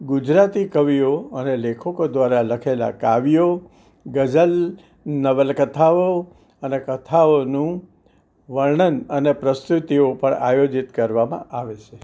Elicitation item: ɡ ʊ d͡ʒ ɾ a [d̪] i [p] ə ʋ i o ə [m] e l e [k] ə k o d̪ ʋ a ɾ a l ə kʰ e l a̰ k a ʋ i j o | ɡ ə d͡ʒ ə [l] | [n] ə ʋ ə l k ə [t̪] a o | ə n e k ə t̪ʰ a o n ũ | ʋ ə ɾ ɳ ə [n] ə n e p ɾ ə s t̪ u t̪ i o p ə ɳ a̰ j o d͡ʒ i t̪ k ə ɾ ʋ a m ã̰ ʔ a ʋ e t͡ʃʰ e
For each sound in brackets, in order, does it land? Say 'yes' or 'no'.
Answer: no, no, no, no, yes, yes, no, yes

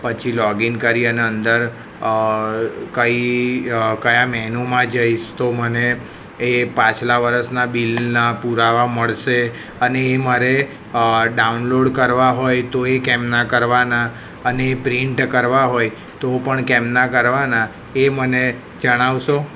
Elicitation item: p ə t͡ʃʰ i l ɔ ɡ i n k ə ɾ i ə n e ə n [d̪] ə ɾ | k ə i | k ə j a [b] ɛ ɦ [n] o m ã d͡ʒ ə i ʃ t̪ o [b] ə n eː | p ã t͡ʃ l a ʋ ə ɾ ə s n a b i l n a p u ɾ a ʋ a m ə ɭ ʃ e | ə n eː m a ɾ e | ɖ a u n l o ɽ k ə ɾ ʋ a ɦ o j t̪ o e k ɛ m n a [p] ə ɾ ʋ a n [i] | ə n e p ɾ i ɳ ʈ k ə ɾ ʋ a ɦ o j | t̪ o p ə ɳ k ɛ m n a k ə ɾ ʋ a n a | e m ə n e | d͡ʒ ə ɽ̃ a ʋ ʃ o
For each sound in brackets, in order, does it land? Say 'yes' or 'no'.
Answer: yes, no, yes, no, no, no

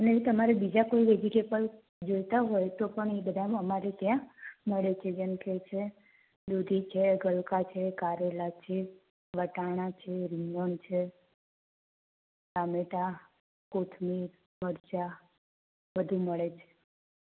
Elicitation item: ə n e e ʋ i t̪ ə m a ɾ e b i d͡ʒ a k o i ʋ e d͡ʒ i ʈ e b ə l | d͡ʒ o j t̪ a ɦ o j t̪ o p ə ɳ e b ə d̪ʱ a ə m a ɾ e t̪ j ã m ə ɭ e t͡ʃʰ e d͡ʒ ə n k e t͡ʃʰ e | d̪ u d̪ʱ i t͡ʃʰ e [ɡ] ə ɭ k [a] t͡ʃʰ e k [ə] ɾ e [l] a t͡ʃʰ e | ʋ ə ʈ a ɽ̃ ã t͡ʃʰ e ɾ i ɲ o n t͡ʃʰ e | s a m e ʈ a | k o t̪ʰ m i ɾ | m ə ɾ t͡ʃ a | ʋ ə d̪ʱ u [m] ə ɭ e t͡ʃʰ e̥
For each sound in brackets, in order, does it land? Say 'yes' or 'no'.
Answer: yes, yes, no, yes, yes

